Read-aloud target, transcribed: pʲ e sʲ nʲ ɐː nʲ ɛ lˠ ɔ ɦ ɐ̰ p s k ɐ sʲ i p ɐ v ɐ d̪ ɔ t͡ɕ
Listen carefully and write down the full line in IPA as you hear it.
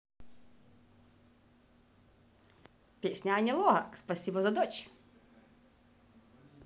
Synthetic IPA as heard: pʲ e sʲ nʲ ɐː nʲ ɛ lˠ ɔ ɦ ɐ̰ k s p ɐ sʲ i b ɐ z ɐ d̪ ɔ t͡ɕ

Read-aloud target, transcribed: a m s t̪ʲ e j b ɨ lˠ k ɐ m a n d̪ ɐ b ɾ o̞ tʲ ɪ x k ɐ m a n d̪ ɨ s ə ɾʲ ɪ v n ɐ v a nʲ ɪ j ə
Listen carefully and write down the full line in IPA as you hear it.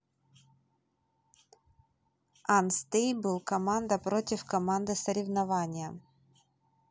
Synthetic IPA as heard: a n s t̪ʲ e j b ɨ lˠ k ɐ m a n d̪ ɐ p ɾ o̞ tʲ ɪ f k ɐ m a n d̪ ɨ s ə ɾʲ ɪ v n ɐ v a nʲ ɪ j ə

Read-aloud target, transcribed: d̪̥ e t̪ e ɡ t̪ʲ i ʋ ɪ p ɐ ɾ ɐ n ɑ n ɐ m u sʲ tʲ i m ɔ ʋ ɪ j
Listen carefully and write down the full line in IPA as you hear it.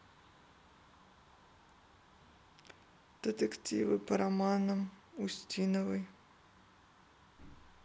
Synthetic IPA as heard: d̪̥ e t̪ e k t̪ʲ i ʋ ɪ p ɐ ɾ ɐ m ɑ n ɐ m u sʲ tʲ i n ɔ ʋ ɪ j

